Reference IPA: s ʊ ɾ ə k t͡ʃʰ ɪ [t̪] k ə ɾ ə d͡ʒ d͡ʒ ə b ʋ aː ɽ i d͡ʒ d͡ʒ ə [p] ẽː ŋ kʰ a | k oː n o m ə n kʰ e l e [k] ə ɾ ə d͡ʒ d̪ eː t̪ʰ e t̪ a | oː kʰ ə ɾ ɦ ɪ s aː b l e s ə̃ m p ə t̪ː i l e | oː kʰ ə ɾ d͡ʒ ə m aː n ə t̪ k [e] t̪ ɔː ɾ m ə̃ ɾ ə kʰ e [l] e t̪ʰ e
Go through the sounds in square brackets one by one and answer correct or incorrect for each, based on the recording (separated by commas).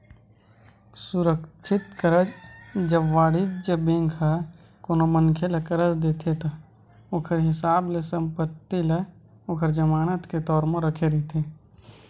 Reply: correct, incorrect, correct, correct, incorrect